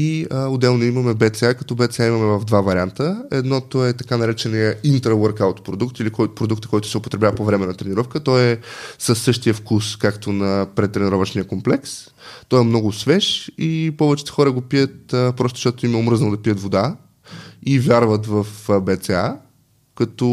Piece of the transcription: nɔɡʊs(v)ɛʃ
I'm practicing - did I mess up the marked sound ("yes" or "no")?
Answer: no